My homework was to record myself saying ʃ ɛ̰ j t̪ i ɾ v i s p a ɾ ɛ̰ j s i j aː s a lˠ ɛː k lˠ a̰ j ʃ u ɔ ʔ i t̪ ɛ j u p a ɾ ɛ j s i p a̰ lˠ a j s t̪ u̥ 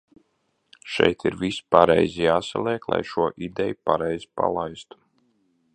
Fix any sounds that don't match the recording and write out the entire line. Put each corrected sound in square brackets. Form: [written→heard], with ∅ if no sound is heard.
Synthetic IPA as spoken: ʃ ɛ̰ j t̪ i ɾ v i s p a ɾ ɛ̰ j [s→z] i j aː s a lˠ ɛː k lˠ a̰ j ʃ u ɔ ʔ i [t̪→d̪] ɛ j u p a ɾ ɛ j [s→z] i p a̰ lˠ a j s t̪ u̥

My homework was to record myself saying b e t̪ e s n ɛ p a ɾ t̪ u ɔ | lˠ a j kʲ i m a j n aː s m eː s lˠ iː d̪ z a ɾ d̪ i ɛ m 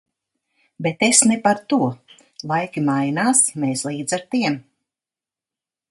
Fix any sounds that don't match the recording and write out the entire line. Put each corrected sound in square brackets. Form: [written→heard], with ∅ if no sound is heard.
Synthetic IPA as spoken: b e t̪ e s n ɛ p a ɾ t̪ u ɔ | lˠ a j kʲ i m a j n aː s m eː s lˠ iː d̪ z a ɾ [d̪→t̪] i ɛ m

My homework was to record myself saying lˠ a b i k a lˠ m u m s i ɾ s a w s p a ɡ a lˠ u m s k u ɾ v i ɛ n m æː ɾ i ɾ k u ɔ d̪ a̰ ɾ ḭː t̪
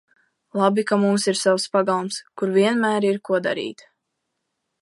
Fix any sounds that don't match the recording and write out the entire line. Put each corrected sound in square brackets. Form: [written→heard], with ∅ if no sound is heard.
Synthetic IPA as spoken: lˠ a b i k a [lˠ→∅] m u m s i ɾ s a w s p a ɡ a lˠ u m s k u ɾ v i ɛ n m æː ɾ i ɾ k u ɔ d̪ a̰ ɾ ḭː t̪

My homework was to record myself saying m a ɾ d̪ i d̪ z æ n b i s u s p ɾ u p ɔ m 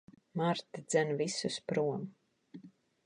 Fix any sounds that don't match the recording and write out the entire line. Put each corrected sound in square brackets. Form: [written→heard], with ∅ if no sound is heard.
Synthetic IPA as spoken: m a ɾ [d̪→t̪] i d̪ z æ n [b→v] i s u s p ɾ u [p→∅] ɔ m

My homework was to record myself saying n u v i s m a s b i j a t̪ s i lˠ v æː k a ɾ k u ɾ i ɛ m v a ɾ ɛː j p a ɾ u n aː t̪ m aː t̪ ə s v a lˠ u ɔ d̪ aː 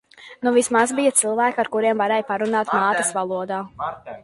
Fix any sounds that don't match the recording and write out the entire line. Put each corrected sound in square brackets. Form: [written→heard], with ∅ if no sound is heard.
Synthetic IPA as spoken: n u v i s m a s b i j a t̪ s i lˠ v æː k a ɾ k u ɾ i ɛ m v a ɾ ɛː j p a ɾ u n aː t̪ m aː t̪ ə s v a lˠ u ɔ d̪ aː

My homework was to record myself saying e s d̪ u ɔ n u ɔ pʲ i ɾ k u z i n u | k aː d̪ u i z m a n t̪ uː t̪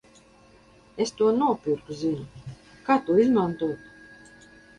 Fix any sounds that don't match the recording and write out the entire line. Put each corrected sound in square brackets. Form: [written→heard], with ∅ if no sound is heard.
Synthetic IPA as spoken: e s [d̪→t̪] u ɔ n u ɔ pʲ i ɾ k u z i n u | k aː [d̪→t̪] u i z m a n t̪ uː t̪

